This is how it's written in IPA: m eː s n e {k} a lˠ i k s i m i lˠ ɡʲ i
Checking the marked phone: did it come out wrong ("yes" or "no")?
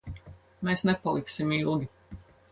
yes